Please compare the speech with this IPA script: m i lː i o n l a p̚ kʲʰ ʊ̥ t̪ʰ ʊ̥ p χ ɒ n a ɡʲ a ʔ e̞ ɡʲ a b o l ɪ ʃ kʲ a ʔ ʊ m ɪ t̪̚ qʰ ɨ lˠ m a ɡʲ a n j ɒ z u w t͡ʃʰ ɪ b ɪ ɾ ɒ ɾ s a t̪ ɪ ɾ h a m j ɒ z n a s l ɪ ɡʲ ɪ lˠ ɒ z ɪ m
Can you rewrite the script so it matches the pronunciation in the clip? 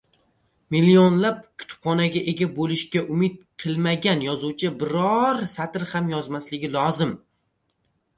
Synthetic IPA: m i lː i o n l a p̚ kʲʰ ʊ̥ t̪ʰ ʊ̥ p χ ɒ n a ɡʲ a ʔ e̞ ɡʲ a b o l ɪ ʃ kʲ a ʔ ʊ m ɪ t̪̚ qʰ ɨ lˠ m a ɡʲ a n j ɒ z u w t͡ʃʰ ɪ b ɪ ɾ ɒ ɾ s a t̪ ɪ ɾ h a m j ɒ z m a s l ɪ ɡʲ ɪ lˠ ɒ z ɪ m